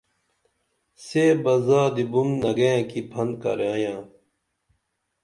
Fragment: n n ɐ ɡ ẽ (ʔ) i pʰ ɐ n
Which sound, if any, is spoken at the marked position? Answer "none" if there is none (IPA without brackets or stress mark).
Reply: k